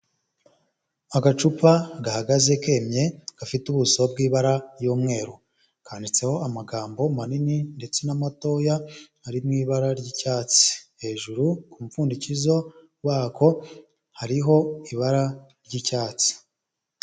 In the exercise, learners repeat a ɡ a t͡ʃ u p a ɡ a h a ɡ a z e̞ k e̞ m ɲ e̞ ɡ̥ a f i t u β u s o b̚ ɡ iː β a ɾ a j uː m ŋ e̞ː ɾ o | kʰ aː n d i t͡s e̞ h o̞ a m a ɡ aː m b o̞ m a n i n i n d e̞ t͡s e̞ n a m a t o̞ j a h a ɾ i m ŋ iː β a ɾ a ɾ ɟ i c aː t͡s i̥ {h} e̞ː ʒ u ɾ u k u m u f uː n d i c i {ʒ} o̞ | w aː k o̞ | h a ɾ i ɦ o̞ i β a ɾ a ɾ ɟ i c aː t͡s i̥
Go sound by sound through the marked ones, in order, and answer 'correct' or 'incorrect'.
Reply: correct, incorrect: z

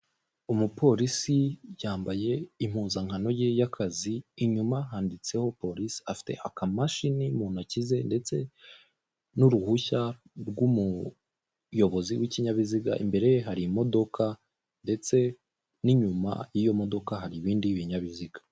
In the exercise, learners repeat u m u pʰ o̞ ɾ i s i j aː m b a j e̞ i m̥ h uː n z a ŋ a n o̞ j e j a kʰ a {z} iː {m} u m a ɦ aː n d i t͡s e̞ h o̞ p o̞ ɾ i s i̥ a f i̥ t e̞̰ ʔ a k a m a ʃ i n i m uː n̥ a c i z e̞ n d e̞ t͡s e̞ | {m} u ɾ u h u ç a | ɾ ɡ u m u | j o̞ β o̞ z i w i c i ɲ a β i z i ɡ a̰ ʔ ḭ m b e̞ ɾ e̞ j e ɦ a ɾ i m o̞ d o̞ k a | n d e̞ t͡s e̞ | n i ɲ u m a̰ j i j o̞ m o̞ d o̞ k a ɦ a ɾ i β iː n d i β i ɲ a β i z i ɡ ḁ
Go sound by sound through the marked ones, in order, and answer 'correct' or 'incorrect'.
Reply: correct, incorrect: ɲ, incorrect: n

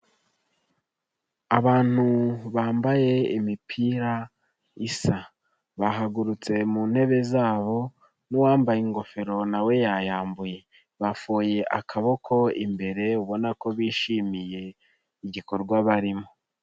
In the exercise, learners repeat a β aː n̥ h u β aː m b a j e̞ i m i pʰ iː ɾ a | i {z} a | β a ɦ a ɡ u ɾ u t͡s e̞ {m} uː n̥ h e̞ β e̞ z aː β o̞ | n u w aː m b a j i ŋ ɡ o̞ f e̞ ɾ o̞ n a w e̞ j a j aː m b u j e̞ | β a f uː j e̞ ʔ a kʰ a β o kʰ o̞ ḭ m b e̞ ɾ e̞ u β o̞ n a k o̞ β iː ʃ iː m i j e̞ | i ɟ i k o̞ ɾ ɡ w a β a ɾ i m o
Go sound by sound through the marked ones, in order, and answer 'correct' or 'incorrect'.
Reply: incorrect: s, correct

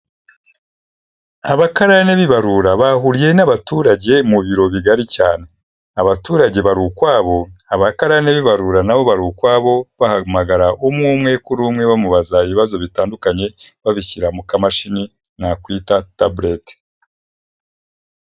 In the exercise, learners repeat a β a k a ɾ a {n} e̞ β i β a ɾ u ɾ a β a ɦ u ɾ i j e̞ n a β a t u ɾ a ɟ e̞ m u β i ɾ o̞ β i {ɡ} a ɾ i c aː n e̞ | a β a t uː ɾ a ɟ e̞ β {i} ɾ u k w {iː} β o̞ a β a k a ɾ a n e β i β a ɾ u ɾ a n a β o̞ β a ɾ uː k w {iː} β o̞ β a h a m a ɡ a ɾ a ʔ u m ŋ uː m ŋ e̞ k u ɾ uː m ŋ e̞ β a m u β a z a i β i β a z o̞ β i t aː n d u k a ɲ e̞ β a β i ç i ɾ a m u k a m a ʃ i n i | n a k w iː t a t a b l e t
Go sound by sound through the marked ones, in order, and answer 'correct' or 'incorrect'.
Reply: correct, correct, incorrect: a, incorrect: aː, incorrect: aː

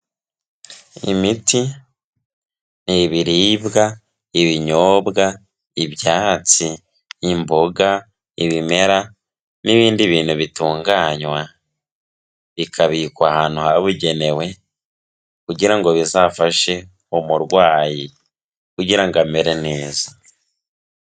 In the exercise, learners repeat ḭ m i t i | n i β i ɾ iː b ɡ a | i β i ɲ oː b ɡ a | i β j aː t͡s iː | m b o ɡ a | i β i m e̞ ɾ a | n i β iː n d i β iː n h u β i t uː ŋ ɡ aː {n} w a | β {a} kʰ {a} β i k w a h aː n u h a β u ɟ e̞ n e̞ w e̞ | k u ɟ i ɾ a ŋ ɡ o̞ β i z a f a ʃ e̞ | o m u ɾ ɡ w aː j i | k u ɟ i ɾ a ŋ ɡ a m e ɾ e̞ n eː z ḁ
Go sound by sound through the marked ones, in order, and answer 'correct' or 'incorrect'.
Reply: incorrect: ɲ, incorrect: i, correct

